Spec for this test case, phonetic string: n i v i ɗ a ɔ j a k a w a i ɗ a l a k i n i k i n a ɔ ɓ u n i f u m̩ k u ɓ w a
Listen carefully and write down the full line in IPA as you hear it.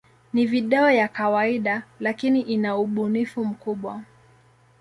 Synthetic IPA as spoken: n i v i ɗ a ɔ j a k a w a i ɗ a l a k i n i ʔ i n a u ɓ u n i f u m̩ k u ɓ w a

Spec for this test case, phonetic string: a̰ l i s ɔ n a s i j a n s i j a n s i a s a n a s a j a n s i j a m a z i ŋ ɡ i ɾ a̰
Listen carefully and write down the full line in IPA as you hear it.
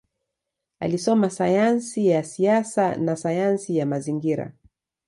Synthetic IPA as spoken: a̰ l i s ɔ m a s a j a n s i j a s i a s a n a s a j a n s i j a m a z i ŋ ɡ i ɾ a̰

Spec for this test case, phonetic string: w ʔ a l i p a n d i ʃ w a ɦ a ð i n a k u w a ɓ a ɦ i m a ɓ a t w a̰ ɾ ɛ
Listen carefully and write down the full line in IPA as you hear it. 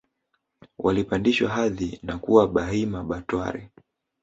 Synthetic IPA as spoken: w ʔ a l i p a n d i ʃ w a ɦ a ð i n a k u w a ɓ a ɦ i m a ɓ a t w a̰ ɾ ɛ

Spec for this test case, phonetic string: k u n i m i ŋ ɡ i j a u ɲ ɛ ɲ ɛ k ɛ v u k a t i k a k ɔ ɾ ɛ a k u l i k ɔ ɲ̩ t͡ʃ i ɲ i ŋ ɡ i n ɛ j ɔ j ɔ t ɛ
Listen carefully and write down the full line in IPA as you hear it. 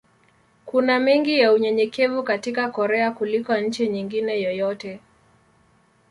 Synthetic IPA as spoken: k u n a m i ŋ ɡ i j a u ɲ ɛ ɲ ɛ k ɛ v u k a t i k a k ɔ ɾ ɛ a k u l i k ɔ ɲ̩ t͡ʃ i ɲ i ŋ ɡ i n ɛ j ɔ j ɔ t ɛ

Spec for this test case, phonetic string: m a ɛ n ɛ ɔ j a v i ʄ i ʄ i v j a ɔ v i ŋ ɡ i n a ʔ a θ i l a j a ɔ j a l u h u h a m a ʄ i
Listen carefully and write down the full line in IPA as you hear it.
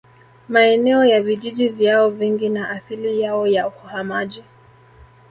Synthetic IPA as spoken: m a ɛ n ɛ ɔ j a v i ʄ i ʄ i v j a ɔ v i ŋ ɡ i n a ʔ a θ i l i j a ɔ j a u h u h a m a ʄ i

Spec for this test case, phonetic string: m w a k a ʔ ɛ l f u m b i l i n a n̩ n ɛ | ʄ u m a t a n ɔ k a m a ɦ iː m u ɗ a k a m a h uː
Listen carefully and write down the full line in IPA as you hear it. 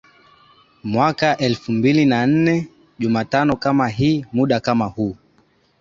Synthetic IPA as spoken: m w a k a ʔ ɛ l f u m b i l i n a n̩ n ɛ | ʄ u m a t a n ɔ k a m a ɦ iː m u ɗ a k a m a h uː

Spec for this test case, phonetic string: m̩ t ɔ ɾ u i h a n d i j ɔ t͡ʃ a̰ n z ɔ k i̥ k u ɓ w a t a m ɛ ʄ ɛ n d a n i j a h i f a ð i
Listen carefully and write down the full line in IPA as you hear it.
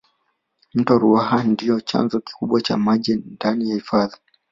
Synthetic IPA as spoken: m̩ t ɔ ɾ u a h a n d i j ɔ t͡ʃ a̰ n z ɔ k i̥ k u ɓ w a t͡ʃ a m a ʄ ɛ n d a n i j a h i f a ð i

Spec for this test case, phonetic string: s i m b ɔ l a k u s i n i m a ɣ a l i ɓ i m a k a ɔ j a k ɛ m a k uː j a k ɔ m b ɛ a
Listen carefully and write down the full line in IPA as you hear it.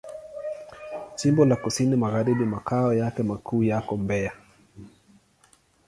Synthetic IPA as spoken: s i m b ɔ l a k u s i n i m a ɣ a ɾ i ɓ i m a k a ɔ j a k ɛ m a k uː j a k ɔ m b ɛ a

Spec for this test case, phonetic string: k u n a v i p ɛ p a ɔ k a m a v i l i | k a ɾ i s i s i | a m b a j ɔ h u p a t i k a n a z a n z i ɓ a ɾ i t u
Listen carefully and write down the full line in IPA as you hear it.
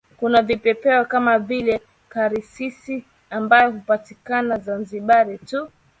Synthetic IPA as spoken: k u n a v i p ɛ p ɛ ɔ k a m a v i l ɛ | k a ɾ i s i s i | a m b a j ɔ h u p a t i k a n a z a n z i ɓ a ɾ i t u

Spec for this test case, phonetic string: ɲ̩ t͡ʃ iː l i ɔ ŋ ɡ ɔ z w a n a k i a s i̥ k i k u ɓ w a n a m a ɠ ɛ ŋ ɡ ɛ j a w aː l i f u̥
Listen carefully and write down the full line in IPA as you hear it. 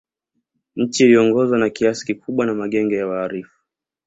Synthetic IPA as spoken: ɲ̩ t͡ʃ iː l i ɔ ŋ ɡ ɔ z w a n a k i a s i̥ k i k u ɓ w a n a m a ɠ ɛ ŋ ɡ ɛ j a w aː ɾ i f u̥

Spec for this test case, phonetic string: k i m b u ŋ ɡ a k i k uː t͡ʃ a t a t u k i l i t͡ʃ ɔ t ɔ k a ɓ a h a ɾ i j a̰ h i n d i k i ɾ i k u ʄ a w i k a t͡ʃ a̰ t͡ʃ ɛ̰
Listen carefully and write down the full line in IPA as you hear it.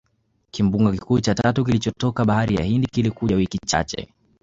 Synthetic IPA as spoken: k i m b u ŋ ɡ a k i k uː t͡ʃ a t a t u k i l i t͡ʃ ɔ t ɔ k a ɓ a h a ɾ i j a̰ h i n d i k i l i k u ʄ a w i k i t͡ʃ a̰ t͡ʃ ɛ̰

